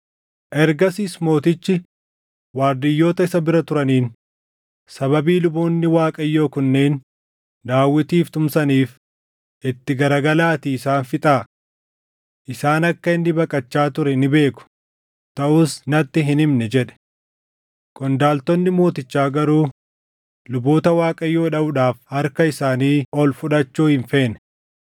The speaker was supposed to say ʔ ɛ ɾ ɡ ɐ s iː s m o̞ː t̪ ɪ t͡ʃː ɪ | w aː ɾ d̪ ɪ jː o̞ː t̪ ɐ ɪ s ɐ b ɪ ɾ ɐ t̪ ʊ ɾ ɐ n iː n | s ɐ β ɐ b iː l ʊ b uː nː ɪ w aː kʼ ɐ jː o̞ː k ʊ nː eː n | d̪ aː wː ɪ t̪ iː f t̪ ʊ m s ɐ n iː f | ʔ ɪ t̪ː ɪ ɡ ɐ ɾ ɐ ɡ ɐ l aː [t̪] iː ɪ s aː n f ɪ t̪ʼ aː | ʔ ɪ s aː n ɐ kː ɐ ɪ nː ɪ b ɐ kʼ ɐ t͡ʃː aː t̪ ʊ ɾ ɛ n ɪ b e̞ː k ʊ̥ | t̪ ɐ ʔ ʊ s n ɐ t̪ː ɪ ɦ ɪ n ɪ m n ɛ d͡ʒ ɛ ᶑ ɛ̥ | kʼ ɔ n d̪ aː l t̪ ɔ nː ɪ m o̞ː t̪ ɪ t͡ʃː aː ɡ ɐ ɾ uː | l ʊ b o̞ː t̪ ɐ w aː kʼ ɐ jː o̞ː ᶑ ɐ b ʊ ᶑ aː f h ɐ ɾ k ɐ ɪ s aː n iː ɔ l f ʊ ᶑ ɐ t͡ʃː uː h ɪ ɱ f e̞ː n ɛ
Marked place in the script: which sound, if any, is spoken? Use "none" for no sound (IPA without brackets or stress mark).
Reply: t̪